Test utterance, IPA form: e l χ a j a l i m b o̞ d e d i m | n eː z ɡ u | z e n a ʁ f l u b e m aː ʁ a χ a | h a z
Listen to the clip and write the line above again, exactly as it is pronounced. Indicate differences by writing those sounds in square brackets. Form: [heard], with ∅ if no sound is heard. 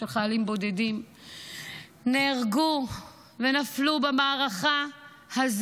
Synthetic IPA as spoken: e l χ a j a l i m b o̞ d e d i m | n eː [ʁ] ɡ u | [v] e n a [∅] f l u b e m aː ʁ a χ a | h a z